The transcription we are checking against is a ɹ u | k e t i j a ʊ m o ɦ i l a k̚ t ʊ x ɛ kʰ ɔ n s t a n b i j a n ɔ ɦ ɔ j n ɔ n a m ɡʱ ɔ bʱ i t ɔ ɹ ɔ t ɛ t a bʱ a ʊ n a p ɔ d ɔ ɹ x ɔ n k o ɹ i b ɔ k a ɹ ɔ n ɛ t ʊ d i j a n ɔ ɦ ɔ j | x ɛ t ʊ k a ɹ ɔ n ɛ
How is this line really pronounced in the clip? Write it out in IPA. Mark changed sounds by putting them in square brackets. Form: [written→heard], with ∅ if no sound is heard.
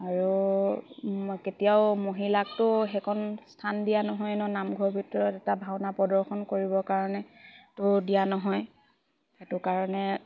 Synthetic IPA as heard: a ɹ u | k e t i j a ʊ m o ɦ i l a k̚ t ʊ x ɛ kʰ ɔ n s [t→tʰ] a n [b→d] i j a n ɔ ɦ ɔ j n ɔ n a m ɡʱ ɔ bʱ i t ɔ ɹ ɔ t ɛ t a bʱ a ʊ n a p ɔ d ɔ ɹ x ɔ n k o ɹ i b ɔ k a ɹ ɔ n ɛ t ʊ d i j a n ɔ ɦ ɔ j | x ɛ t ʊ k a ɹ ɔ n ɛ